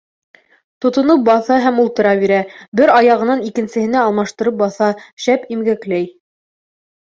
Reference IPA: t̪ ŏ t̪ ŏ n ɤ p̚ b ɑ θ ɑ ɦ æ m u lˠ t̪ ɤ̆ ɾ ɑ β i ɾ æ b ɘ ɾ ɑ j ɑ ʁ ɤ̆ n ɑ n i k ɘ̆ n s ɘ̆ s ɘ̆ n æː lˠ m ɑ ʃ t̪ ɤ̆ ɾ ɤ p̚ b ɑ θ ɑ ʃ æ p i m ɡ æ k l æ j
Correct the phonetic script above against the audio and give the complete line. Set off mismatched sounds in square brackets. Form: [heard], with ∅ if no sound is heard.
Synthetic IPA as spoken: t̪ ŏ t̪ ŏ n ɤ p̚ b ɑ θ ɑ ɦ æ m u lˠ t̪ ɤ̆ ɾ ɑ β i ɾ æ b ɘ ɾ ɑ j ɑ ʁ ɤ̆ n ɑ n i k ɘ̆ n s ɘ̆ [h] ɘ̆ n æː lˠ m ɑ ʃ t̪ ɤ̆ ɾ ɤ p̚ b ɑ θ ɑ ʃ æ p i m ɡ æ k l æ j